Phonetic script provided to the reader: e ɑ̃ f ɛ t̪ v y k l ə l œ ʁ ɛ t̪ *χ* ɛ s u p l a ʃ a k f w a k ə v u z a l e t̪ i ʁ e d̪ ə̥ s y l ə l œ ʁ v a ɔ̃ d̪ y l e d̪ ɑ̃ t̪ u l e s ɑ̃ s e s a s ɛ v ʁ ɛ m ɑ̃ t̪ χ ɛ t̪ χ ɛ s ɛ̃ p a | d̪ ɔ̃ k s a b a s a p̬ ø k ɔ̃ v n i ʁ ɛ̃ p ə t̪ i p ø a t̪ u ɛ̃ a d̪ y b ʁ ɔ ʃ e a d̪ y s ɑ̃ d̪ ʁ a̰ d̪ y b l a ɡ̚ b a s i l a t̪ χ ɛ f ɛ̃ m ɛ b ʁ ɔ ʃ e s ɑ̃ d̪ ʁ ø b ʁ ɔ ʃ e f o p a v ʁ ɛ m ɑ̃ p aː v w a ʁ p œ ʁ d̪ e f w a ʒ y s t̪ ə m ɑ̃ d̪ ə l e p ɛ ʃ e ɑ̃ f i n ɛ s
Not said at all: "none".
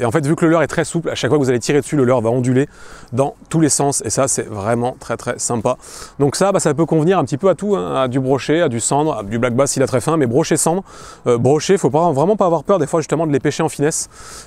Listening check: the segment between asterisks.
χ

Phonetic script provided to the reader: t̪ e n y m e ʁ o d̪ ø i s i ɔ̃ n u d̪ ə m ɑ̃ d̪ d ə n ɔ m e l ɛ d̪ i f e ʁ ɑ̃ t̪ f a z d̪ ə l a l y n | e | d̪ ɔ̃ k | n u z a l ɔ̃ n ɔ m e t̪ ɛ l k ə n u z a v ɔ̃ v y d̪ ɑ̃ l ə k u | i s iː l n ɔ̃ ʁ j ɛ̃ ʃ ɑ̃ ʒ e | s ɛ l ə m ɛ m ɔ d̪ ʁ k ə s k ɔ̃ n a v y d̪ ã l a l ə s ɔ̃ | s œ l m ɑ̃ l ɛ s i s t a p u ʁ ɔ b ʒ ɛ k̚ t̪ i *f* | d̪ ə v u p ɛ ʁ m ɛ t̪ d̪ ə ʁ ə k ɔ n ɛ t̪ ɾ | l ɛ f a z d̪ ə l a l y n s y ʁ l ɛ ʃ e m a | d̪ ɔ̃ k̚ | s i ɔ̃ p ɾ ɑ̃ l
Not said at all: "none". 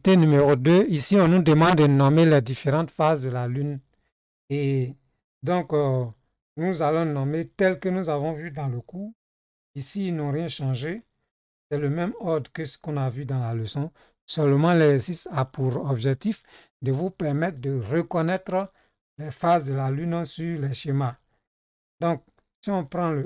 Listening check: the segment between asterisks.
f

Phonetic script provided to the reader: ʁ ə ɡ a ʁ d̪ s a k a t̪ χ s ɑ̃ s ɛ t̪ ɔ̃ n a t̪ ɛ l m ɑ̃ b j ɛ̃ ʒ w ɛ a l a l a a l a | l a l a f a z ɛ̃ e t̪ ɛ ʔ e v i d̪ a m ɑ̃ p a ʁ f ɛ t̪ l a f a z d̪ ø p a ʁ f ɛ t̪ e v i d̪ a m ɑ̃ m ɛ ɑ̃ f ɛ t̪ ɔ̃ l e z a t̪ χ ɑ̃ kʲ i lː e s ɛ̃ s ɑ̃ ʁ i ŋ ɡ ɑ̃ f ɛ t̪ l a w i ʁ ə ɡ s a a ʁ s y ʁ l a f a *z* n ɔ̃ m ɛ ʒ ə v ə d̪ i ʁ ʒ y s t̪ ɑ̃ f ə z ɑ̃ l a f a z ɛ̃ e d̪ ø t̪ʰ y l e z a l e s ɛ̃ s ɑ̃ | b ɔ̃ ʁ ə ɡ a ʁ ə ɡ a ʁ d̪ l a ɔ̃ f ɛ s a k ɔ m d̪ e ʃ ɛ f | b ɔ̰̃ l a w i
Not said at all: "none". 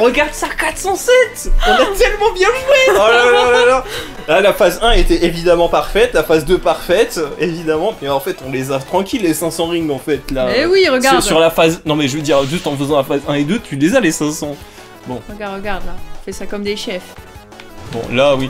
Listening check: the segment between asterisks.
z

